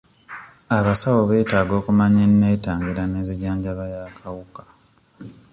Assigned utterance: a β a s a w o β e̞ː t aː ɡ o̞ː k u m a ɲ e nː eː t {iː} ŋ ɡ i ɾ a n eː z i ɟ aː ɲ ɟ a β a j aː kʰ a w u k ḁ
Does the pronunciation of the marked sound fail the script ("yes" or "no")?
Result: yes